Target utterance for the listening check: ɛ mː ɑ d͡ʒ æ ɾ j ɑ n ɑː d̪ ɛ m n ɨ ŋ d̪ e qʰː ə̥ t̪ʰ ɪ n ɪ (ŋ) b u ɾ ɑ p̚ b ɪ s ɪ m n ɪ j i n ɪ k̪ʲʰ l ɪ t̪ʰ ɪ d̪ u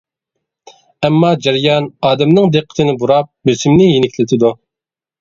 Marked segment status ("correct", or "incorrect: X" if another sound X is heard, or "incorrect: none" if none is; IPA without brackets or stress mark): incorrect: none